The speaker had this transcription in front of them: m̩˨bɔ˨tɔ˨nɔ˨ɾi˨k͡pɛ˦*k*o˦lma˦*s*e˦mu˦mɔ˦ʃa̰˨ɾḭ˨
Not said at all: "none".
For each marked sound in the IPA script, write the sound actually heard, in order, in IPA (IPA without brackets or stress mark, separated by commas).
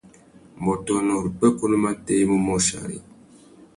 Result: k, t